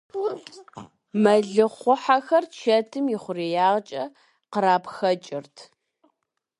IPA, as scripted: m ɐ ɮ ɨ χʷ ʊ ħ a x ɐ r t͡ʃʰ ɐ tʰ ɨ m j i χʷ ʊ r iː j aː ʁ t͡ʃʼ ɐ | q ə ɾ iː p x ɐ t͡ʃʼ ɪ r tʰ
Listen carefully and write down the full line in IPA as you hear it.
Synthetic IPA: m ɐ ɮ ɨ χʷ ʊ ħ a x ɐ r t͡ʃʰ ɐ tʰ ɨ m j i χʷ ʊ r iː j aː ʁ t͡ʃʼ ɐ | q ə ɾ aː p x ɐ t͡ʃʼ ɪ r tʰ